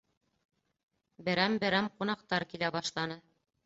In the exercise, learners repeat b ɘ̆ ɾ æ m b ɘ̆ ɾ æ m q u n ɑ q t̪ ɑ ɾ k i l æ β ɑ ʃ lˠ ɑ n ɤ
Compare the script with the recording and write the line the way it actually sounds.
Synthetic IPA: b ɘ̆ ɾ æ m b ɘ̆ ɾ æ m q u n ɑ q t̪ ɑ ɾ k i l æ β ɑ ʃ lˠ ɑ n ɤ